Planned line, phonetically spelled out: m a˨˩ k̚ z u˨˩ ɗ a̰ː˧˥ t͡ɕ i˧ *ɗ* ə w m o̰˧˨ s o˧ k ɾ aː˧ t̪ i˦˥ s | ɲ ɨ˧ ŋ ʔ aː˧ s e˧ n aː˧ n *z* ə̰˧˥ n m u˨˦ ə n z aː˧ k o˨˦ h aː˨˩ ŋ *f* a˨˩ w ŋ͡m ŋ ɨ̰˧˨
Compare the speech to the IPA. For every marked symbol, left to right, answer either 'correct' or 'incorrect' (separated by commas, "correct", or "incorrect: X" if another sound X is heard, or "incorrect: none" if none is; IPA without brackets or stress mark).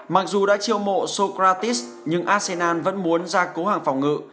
incorrect: none, incorrect: v, correct